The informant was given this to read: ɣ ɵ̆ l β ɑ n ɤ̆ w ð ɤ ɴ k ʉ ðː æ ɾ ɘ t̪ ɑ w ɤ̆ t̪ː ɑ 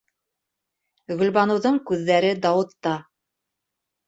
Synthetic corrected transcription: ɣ ɵ̆ l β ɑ n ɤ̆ w ð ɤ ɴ k ʉ ðː æ ɾ ɘ d̪ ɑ w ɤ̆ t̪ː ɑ

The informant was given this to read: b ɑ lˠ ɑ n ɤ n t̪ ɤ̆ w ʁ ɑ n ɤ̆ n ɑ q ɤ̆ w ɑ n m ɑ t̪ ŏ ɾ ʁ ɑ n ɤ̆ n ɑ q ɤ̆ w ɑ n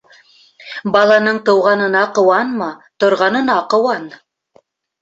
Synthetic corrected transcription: b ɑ lˠ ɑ n ɤ ɴ t̪ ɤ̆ w ʁ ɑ n ɤ̆ n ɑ q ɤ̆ w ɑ n m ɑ t̪ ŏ ɾ ʁ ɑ n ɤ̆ n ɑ q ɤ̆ w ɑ n

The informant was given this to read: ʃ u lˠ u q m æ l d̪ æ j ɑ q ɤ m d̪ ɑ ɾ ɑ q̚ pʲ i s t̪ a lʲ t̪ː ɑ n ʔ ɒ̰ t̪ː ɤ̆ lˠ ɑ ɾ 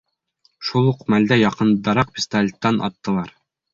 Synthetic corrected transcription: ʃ u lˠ u q m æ l d̪ æ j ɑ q ɤ n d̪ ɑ ɾ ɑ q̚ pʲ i s t̪ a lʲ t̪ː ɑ n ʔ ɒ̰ t̪ː ɤ̆ lˠ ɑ ɾ

